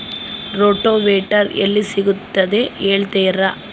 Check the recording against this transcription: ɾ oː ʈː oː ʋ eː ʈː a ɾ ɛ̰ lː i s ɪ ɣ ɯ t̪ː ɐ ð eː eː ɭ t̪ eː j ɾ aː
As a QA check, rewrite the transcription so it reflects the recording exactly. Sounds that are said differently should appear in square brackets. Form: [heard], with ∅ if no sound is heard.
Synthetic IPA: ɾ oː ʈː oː ʋ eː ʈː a ɾ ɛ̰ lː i s ɪ ɣ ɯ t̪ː ɐ ð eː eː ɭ t̪ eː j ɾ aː